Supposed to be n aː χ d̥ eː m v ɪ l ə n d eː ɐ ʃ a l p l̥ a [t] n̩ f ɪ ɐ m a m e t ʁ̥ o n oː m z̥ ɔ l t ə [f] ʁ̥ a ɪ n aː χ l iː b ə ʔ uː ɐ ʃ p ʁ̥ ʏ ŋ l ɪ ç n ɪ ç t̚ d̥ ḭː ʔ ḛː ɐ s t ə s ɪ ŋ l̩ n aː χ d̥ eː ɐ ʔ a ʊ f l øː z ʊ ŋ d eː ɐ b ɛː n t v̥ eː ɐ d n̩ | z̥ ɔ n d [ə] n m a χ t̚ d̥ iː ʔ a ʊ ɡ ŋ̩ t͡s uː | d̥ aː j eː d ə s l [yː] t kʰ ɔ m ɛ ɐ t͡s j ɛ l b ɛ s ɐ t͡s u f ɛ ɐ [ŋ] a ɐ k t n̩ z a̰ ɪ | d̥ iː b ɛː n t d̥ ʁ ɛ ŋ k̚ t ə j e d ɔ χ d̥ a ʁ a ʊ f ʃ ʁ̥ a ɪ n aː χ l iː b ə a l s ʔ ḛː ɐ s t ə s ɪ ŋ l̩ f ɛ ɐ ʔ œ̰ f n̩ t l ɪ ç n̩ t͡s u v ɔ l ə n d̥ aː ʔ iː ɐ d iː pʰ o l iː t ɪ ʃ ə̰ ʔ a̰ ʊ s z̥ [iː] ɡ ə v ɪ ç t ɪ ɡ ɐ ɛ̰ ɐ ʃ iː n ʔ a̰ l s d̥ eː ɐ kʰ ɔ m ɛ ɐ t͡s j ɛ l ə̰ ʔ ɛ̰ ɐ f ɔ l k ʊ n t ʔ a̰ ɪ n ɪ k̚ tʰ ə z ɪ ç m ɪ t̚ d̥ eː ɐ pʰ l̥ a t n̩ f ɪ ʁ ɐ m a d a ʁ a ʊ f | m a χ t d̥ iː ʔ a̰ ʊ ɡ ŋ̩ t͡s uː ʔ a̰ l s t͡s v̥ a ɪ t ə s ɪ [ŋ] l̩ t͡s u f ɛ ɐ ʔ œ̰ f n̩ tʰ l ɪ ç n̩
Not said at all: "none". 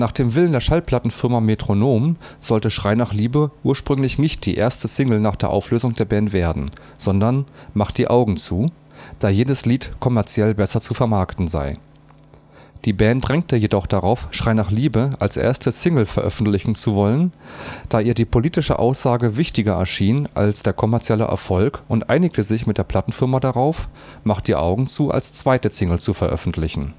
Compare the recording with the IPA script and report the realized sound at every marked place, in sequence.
t, ʃ, ɐ, iː, m, aː, ŋ

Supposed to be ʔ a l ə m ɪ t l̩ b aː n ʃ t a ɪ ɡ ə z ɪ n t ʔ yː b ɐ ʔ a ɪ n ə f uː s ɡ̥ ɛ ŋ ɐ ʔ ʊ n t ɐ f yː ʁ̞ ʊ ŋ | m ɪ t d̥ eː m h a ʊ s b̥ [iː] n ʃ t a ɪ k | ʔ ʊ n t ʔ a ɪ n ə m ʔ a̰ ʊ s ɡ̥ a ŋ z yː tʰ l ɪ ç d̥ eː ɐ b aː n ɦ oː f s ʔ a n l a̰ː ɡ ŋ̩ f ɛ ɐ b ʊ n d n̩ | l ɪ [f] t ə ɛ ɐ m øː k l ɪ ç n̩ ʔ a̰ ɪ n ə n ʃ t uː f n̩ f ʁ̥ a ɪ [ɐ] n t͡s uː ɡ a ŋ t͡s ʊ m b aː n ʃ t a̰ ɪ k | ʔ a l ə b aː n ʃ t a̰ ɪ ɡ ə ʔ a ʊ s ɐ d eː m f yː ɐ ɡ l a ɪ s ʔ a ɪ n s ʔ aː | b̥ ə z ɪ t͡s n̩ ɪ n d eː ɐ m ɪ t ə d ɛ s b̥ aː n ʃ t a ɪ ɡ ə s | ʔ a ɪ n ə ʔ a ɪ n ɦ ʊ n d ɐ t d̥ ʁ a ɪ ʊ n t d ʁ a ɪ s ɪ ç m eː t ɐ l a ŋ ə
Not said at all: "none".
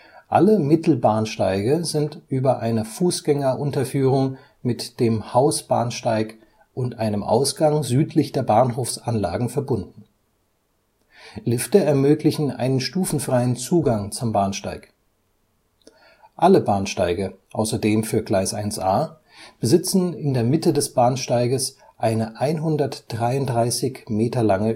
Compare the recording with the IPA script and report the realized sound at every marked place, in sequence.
aː, f, ə

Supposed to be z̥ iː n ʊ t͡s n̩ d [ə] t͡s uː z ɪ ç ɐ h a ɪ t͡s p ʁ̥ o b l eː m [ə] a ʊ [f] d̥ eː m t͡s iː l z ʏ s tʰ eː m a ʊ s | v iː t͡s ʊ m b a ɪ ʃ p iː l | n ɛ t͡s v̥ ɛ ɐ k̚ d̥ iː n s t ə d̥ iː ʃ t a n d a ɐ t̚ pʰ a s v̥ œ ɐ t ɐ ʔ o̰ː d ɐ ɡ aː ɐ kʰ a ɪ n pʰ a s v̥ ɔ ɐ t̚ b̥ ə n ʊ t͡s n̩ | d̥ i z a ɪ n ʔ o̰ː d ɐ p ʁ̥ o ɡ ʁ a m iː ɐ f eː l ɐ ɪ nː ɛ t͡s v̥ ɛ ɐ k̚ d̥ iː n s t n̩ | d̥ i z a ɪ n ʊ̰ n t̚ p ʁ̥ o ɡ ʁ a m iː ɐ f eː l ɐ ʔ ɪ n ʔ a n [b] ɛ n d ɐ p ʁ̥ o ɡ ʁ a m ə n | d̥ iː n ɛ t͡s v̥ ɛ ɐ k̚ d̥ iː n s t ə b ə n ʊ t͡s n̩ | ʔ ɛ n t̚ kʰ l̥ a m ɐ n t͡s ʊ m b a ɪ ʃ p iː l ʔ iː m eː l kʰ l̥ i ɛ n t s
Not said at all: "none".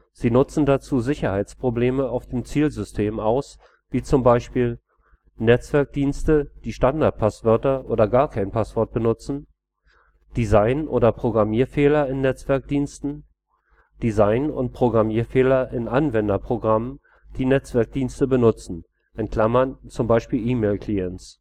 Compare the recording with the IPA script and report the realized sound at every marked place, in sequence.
a, ə, f, v

